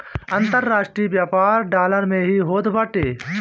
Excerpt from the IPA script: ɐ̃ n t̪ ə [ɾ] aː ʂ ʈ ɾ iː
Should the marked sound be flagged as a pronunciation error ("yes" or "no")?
yes